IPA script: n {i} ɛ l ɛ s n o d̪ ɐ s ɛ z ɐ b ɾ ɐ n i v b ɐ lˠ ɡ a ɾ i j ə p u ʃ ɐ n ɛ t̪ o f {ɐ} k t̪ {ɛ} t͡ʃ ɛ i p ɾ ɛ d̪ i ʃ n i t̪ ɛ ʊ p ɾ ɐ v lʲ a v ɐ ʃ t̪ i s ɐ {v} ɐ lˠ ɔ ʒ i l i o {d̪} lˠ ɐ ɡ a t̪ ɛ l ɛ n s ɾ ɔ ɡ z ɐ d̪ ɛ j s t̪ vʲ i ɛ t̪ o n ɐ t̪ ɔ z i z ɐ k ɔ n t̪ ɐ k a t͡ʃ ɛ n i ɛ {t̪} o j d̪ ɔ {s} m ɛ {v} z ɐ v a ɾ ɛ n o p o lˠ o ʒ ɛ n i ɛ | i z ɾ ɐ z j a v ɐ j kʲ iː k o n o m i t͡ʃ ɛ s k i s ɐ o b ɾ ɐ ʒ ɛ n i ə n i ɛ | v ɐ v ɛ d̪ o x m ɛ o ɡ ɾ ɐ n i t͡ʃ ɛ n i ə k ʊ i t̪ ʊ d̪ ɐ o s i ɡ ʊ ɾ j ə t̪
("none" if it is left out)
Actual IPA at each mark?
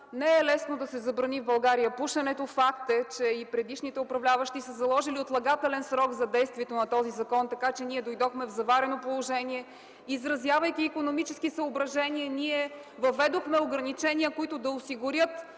ɛ, a, ɛ, z, t̪, d̪, x, v

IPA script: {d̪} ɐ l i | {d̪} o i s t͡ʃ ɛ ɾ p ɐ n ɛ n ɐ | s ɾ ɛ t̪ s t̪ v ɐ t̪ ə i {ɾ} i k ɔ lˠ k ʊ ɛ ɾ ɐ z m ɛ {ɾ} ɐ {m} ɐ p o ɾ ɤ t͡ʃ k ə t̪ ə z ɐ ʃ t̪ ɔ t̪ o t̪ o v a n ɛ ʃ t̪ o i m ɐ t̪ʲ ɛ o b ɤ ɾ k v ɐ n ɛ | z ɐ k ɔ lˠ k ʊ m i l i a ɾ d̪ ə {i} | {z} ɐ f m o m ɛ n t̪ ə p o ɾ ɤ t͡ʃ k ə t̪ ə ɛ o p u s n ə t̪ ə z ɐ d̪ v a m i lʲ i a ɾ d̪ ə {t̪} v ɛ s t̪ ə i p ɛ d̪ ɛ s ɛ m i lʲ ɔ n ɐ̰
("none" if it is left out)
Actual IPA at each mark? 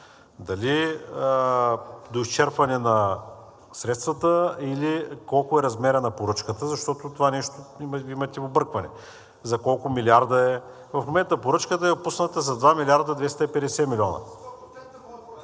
d̪, d̪, l, ɾ, n, ɛ, v, d̪

